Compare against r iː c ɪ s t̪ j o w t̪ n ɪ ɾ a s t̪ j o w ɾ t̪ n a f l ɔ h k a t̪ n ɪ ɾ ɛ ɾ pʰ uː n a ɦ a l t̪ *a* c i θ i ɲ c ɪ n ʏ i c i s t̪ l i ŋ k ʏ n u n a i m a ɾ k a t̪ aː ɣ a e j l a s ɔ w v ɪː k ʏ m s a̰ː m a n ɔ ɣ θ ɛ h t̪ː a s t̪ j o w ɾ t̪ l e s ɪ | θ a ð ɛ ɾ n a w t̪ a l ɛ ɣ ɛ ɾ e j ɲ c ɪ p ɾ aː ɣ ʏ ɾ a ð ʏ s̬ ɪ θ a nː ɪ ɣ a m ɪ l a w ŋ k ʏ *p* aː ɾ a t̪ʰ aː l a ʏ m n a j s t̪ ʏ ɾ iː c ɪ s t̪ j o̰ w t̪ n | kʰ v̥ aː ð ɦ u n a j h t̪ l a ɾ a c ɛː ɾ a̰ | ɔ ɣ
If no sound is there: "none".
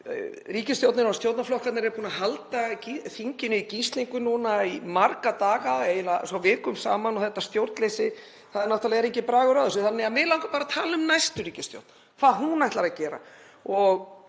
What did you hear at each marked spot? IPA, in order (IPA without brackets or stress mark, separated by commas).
a, p